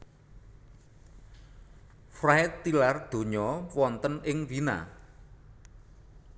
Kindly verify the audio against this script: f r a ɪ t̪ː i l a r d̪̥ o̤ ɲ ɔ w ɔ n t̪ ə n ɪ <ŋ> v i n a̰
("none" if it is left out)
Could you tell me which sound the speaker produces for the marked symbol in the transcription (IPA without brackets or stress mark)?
ŋ